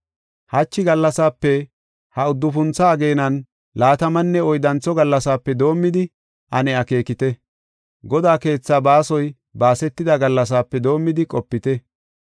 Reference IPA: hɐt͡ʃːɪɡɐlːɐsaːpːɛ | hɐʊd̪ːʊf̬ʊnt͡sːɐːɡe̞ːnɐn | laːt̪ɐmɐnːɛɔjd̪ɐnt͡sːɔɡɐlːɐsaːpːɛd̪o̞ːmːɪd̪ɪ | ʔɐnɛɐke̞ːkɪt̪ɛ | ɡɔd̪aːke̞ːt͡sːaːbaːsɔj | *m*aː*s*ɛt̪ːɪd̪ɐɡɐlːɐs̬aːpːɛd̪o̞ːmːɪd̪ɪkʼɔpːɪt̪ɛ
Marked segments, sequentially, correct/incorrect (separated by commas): incorrect, correct